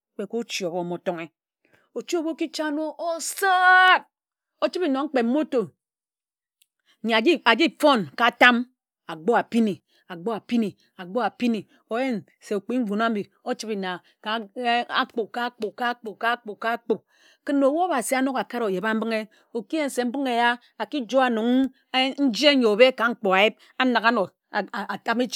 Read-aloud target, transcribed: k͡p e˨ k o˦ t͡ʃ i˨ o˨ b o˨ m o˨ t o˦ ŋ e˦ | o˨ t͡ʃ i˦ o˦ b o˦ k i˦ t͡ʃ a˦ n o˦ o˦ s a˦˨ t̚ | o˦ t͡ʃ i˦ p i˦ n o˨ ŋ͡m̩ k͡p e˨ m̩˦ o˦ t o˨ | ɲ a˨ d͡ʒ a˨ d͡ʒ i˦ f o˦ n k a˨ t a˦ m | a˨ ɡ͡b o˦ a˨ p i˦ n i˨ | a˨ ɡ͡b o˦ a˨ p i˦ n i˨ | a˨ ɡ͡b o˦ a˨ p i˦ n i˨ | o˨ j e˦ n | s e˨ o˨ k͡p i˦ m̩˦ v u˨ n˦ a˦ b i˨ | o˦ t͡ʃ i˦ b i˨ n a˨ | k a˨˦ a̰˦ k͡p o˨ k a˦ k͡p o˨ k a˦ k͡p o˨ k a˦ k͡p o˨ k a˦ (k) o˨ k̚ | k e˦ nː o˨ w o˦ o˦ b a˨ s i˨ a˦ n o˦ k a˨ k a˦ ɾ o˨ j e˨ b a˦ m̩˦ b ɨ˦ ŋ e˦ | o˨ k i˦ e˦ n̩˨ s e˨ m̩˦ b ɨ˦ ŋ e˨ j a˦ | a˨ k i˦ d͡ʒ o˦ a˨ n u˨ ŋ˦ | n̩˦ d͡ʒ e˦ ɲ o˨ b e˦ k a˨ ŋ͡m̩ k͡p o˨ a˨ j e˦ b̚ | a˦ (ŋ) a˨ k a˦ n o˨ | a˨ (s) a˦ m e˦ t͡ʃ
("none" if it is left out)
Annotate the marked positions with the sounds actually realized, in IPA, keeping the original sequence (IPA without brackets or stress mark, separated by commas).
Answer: k͡p, n, t